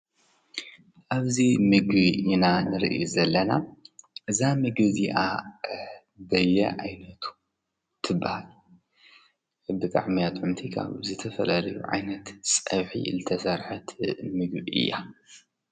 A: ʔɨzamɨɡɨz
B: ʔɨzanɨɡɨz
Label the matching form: A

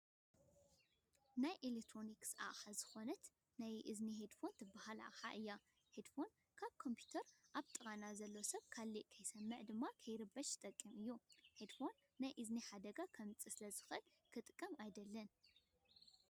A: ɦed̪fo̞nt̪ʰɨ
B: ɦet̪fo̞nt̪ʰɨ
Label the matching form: A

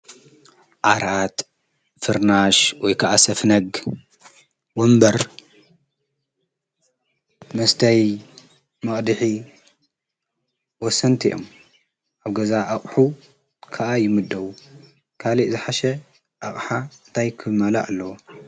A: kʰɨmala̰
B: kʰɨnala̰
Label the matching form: A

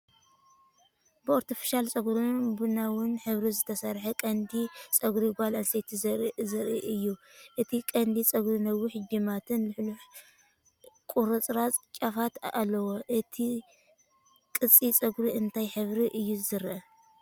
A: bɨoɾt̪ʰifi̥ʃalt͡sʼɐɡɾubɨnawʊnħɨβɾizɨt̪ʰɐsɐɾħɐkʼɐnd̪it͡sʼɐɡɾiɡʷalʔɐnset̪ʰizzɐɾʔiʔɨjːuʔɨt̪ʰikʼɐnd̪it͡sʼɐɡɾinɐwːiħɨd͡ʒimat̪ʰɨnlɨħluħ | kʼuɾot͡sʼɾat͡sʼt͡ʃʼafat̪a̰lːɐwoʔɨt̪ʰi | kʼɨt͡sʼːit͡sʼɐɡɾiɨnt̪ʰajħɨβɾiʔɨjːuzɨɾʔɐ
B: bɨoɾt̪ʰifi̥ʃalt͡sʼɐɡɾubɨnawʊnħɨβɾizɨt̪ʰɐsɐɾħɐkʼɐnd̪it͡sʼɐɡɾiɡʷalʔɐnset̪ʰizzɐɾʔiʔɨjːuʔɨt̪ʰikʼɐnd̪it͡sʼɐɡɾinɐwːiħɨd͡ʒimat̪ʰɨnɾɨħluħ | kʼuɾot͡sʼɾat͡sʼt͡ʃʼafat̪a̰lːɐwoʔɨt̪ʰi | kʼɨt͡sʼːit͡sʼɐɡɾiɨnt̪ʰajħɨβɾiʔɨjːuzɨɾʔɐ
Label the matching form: A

